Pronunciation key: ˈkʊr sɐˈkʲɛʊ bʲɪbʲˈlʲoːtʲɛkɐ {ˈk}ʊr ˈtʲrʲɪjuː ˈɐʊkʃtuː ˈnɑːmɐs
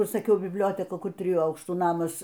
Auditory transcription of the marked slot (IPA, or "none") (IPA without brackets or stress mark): k